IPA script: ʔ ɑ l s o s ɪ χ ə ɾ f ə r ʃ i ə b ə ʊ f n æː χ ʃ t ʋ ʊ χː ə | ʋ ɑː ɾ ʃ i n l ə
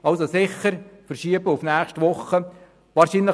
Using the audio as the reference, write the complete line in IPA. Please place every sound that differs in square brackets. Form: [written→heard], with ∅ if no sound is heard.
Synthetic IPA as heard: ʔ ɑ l s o s ɪ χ ə ɾ f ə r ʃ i ə b ə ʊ f n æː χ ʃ t ʋ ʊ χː ə | ʋ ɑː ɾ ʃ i n l ə

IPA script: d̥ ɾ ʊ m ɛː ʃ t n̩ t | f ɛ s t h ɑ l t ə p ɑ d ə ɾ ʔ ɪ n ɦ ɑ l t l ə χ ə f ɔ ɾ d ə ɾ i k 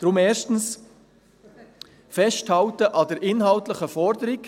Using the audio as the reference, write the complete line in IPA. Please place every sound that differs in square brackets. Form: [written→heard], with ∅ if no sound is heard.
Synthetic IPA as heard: d̥ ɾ ʊ m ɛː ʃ t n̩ [t→s] | f ɛ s t h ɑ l t ə [p→ʔ] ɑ d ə ɾ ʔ ɪ n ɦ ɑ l t l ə χ ə f ɔ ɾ d ə ɾ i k

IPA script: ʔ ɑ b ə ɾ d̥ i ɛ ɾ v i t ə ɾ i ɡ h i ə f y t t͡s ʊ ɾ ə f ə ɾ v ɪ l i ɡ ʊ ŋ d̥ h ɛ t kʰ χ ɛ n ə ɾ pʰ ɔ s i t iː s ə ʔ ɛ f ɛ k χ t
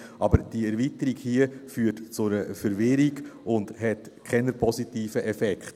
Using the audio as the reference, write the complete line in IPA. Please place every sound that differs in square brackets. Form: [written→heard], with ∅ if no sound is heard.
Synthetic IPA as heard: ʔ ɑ b ə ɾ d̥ i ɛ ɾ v i t ə ɾ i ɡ h i ə f [y→yː] t t͡s ʊ ɾ ə f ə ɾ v ɪ [l→ɾ] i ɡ ʊ [ŋ→n] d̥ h ɛ t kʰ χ ɛ n ə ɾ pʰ ɔ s i t iː [s→f] ə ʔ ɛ f ɛ k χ t

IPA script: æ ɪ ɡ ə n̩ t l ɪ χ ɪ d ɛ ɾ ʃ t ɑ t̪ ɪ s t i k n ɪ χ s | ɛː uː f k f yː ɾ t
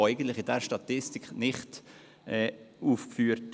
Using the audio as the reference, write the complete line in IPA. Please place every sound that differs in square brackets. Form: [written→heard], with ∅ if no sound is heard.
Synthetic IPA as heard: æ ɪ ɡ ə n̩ t l ɪ χ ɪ d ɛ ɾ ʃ t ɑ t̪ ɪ s t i k n ɪ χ [s→t] | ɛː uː f k f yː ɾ t

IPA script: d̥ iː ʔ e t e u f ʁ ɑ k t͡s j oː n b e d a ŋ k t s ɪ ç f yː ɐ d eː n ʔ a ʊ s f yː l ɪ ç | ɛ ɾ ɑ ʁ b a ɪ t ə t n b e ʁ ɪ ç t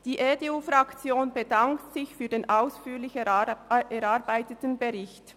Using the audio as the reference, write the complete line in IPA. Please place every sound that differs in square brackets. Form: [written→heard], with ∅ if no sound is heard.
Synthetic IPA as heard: d̥ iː ʔ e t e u f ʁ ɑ k t͡s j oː n b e d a ŋ k t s ɪ ç f yː ɐ d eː n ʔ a ʊ s f yː l ɪ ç | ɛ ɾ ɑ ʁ b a ɪ t ə t n b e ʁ ɪ ç t

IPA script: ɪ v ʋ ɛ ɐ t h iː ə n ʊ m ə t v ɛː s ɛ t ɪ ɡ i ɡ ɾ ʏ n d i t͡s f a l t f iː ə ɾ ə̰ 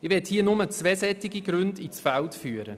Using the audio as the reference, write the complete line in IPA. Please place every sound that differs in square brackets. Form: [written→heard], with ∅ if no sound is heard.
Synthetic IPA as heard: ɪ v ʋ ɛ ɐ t h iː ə n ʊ m ə [t→t͡s] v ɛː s ɛ t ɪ ɡ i ɡ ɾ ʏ n d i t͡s f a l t f [iː→yː] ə ɾ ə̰

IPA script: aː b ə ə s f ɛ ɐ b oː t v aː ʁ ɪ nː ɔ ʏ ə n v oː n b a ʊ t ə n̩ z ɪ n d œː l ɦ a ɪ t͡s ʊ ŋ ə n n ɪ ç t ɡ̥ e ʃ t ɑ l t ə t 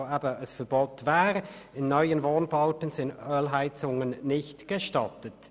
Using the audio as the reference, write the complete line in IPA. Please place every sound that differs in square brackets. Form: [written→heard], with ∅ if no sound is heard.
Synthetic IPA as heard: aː b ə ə s f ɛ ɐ b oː t v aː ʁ ɪ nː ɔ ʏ ə n v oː n b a ʊ t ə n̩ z ɪ n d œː l ɦ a ɪ t͡s ʊ ŋ ə n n ɪ ç t ɡ̥ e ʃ t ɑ [l→∅] t ə t

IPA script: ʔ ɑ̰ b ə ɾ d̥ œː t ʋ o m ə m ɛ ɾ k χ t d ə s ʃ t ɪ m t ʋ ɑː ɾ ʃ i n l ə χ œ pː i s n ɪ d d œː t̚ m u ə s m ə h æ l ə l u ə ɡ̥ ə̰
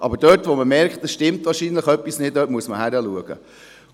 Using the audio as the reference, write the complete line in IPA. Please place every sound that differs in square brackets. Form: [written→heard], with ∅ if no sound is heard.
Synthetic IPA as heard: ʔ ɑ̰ b ə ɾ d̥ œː t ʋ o m ə m ɛ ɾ k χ t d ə s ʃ t ɪ m t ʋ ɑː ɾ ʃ i n l ə χ œ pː i s n ɪ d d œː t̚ m u ə s m ə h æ [l→ɾ] ə l u ə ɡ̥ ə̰

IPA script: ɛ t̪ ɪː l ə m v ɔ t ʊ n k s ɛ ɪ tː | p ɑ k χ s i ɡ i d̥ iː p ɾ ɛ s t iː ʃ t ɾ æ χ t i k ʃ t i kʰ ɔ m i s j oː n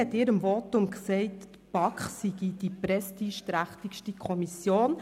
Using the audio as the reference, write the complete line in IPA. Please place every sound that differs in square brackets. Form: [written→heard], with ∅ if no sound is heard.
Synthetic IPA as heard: ɛ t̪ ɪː [l→ɾ] ə m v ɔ t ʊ [n→m] k s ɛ ɪ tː | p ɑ k χ s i ɡ i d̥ [iː→i] p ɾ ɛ s t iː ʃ t ɾ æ χ t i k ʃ t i kʰ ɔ m i s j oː n

